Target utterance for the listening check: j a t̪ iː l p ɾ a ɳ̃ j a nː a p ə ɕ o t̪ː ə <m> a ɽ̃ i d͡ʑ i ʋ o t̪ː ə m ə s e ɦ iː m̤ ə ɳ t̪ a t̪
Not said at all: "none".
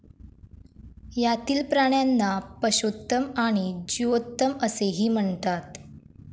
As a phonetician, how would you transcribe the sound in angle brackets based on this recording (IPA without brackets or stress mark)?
m